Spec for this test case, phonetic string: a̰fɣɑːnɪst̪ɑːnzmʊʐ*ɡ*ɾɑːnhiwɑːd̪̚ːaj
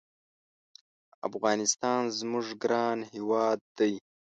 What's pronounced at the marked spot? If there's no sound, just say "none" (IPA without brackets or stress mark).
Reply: ɡ